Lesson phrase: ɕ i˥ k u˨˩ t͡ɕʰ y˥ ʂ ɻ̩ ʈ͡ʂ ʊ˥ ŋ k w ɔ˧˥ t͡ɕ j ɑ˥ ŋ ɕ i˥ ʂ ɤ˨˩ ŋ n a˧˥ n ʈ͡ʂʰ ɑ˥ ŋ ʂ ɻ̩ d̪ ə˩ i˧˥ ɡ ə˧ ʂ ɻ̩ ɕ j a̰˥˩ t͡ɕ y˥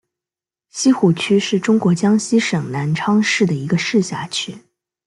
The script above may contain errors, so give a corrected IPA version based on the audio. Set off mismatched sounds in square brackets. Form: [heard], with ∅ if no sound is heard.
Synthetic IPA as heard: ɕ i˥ [x] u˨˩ t͡ɕʰ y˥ ʂ ɻ̩ ʈ͡ʂ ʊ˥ ŋ k w ɔ˧˥ t͡ɕ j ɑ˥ ŋ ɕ i˥ ʂ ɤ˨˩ ŋ n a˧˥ n ʈ͡ʂʰ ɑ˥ ŋ ʂ ɻ̩ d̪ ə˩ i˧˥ ɡ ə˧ ʂ ɻ̩ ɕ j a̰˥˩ [t͡ɕʰ] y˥